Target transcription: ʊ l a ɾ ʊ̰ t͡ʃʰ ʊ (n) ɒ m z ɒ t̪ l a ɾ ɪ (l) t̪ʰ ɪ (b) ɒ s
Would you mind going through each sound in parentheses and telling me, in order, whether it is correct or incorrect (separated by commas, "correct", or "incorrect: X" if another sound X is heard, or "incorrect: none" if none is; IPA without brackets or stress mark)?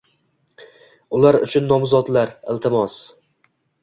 incorrect: nː, correct, incorrect: m